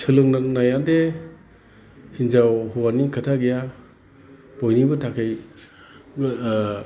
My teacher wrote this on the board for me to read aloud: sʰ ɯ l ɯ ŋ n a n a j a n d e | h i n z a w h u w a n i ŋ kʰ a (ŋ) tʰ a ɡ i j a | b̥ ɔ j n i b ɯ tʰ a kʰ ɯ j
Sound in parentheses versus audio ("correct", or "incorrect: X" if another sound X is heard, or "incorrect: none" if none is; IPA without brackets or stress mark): incorrect: none